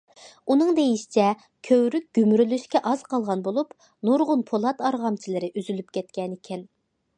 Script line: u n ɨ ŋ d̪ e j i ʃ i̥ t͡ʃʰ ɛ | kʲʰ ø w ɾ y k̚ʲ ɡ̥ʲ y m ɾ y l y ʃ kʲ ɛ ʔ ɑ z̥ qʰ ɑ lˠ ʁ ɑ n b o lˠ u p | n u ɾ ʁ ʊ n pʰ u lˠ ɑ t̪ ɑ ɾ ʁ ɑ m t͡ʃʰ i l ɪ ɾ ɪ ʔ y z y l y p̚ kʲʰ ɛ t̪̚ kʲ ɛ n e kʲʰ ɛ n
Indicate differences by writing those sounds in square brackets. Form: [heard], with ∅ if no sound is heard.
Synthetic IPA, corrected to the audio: u n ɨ ŋ d̪ e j i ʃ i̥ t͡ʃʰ ɛ | kʲʰ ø w ɾ y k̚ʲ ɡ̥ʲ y m ɾ y l y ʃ kʲ ɛ ʔ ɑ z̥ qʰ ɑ lˠ ʁ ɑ n b o lˠ u p | n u ɾ ʁ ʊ n pʰ [o] lˠ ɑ t̪ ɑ ɾ ʁ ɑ m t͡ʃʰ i l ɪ ɾ ɪ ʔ y z y l y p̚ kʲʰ ɛ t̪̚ kʲ ɛ n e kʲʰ ɛ n

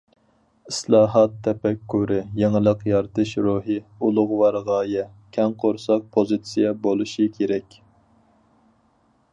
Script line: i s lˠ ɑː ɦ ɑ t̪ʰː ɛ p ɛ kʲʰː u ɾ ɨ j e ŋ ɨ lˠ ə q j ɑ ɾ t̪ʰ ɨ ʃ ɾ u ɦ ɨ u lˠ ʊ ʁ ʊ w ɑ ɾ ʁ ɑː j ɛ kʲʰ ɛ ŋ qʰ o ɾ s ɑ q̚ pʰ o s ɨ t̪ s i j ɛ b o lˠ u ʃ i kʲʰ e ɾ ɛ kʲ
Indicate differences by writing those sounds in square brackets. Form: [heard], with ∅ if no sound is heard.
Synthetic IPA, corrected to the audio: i s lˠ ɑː ɦ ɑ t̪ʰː ɛ p ɛ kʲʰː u ɾ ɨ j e ŋ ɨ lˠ ə q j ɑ ɾ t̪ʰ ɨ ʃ ɾ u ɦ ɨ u lˠ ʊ ʁ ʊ w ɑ ɾ ʁ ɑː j ɛ kʲʰ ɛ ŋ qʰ o ɾ s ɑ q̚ pʰ o [z] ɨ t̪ s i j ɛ b o lˠ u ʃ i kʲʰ e ɾ ɛ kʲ

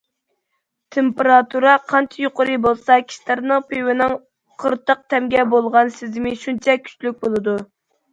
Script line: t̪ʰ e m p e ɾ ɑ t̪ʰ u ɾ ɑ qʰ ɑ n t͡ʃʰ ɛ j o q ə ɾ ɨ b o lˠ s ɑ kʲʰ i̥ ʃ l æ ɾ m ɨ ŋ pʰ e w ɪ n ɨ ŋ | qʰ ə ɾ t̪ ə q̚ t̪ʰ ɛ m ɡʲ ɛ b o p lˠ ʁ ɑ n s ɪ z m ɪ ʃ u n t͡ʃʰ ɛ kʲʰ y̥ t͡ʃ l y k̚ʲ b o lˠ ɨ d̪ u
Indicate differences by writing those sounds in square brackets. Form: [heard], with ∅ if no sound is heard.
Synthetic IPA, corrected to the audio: t̪ʰ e m p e ɾ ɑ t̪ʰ u ɾ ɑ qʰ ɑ n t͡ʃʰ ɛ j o q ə ɾ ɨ b o lˠ s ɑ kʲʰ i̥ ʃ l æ ɾ [n] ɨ ŋ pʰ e w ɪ n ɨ ŋ | qʰ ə ɾ t̪ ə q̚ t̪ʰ ɛ m ɡʲ ɛ b o [∅] lˠ ʁ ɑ n s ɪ z m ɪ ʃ u n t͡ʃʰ ɛ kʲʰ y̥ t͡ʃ l y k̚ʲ b o lˠ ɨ d̪ u

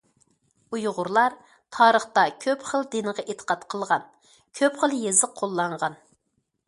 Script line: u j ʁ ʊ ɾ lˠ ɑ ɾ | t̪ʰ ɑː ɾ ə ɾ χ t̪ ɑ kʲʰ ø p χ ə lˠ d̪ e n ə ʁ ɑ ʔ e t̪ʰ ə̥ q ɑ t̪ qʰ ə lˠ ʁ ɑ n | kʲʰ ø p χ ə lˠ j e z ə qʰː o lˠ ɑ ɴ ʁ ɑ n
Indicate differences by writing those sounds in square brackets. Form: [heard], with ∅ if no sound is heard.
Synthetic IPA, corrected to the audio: u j ʁ ʊ ɾ lˠ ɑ ɾ | t̪ʰ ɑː ɾ ə [∅] χ t̪ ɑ kʲʰ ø p χ ə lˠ d̪ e n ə ʁ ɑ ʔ e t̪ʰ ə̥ q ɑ t̪ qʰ ə lˠ ʁ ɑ n | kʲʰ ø p χ ə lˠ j e z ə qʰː o [lˠː] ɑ ɴ ʁ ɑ n

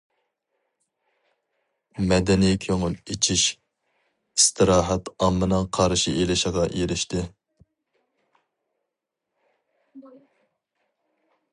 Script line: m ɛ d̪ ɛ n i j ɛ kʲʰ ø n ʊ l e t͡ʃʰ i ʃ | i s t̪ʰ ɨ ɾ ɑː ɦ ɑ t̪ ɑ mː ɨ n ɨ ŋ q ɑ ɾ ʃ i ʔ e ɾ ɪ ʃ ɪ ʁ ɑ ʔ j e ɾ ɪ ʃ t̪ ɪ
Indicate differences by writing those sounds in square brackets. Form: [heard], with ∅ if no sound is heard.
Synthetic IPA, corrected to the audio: m ɛ d̪ ɛ n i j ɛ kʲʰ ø [ŋ] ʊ l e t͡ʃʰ i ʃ | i s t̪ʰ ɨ ɾ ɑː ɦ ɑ t̪ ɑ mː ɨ n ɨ ŋ [qʰ] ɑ ɾ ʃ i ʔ e [l] ɪ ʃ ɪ ʁ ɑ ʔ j e ɾ ɪ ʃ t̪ ɪ

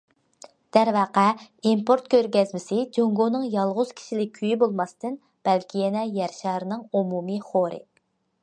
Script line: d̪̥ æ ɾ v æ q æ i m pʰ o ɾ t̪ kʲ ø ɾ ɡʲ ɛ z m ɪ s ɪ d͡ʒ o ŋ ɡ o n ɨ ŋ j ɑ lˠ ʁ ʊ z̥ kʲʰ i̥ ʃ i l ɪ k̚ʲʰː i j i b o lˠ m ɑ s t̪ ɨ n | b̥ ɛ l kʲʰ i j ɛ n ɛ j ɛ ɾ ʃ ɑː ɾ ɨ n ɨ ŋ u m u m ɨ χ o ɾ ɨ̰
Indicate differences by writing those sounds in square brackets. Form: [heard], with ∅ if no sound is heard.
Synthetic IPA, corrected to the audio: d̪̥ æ ɾ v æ q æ i m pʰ o ɾ t̪ kʲ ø ɾ ɡʲ ɛ z m ɪ s ɪ d͡ʒ o ŋ ɡ o n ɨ ŋ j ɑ lˠ ʁ ʊ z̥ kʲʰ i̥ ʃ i l ɪ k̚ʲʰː [y] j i b o lˠ m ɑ s t̪ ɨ n | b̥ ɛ l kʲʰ i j ɛ n ɛ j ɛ ɾ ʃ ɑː ɾ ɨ n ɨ ŋ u m u m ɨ χ o ɾ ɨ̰

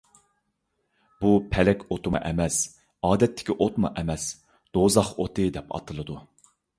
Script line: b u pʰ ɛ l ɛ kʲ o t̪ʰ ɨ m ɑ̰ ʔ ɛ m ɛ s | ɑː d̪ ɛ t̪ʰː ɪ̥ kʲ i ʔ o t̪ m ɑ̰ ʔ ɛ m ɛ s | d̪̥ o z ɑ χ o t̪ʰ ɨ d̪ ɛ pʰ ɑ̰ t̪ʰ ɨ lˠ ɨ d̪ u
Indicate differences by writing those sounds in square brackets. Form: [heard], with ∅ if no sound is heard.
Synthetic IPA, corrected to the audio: b u pʰ ɛ l ɛ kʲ o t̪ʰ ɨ m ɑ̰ ʔ ɛ m ɛ s | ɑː d̪ ɛ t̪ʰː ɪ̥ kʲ i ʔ o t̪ m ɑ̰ ʔ ɛ m ɛ s | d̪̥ o z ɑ χ o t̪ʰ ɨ d̪ ɛ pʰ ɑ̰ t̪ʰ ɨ lˠ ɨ d̪ u

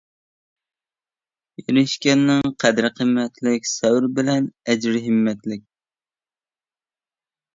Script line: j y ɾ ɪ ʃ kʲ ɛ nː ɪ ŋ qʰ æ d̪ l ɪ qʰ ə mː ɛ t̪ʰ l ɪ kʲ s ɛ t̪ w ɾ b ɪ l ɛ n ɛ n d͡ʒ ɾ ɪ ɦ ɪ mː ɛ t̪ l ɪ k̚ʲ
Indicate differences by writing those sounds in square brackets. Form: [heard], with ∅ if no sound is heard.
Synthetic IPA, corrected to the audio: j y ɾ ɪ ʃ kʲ ɛ nː ɪ ŋ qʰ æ d̪ [ɾ] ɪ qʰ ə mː ɛ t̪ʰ l ɪ kʲ s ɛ [∅] w ɾ b ɪ l ɛ n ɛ [∅] d͡ʒ ɾ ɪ ɦ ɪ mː ɛ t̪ l ɪ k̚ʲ

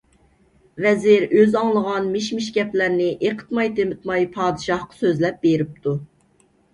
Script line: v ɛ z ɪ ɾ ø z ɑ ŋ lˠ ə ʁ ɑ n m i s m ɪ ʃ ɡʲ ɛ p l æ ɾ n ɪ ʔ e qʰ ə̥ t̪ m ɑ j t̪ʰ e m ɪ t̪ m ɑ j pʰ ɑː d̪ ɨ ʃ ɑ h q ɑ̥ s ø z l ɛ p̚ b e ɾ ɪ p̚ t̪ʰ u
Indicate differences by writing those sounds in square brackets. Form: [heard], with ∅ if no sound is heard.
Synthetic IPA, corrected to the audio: v ɛ z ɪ ɾ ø z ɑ ŋ lˠ ə ʁ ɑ n m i [ʃ] m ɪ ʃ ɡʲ ɛ p l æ ɾ n ɪ ʔ e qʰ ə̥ t̪ m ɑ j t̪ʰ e m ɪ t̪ m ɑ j pʰ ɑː d̪ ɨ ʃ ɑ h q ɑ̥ s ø z l ɛ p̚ b e ɾ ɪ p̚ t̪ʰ u

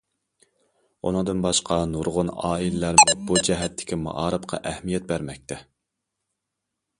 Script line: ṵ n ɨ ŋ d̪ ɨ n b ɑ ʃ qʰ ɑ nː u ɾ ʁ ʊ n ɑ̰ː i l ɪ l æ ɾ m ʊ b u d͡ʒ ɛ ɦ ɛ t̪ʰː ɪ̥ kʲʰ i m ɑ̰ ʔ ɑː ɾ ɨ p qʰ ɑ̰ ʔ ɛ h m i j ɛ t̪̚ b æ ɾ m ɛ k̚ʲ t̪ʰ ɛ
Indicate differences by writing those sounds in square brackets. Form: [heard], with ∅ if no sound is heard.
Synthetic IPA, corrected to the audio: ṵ n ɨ ŋ d̪ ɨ n b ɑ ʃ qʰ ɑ [n] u ɾ ʁ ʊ n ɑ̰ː i l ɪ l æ ɾ m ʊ b u d͡ʒ ɛ ɦ ɛ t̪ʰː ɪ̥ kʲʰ i m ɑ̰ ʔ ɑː ɾ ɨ p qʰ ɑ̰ ʔ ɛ h m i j ɛ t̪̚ b æ ɾ m ɛ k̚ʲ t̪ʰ ɛ

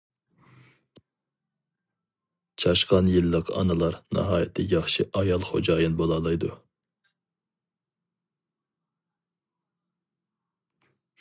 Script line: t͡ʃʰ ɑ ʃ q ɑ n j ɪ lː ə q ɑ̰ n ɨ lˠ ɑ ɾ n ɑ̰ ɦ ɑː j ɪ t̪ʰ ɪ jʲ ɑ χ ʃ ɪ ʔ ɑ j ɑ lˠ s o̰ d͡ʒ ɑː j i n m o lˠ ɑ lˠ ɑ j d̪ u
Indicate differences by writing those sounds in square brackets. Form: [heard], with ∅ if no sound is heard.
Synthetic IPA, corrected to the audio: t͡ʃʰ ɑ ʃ q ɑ n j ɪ lː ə q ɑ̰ n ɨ lˠ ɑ ɾ n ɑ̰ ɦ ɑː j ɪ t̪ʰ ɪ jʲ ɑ χ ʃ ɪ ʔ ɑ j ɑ lˠ [χ] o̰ d͡ʒ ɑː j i n [b] o lˠ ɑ lˠ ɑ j d̪ u

